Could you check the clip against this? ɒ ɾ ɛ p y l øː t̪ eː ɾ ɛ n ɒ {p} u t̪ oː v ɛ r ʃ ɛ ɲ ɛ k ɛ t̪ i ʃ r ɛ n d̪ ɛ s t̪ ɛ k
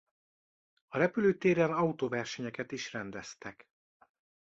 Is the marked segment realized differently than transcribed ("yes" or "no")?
yes